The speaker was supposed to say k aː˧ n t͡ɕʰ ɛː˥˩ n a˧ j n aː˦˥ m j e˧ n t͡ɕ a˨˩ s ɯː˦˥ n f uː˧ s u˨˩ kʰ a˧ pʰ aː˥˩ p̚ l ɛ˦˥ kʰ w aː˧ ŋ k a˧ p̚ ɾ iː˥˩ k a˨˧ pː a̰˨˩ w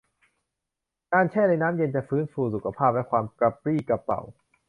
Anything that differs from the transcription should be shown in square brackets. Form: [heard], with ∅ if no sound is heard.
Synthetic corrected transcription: k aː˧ n t͡ɕʰ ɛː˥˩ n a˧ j n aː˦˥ m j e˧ n t͡ɕ a˨˩ [f] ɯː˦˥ n f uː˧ s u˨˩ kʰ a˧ pʰ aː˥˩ p̚ l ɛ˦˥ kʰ w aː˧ [m] k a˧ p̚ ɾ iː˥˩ k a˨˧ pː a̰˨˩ w